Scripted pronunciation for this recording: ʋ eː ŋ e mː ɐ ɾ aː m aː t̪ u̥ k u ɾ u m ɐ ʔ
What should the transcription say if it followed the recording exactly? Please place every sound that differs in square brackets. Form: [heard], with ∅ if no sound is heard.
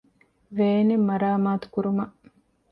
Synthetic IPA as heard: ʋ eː [n] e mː ɐ ɾ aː m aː t̪ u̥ k u ɾ u m ɐ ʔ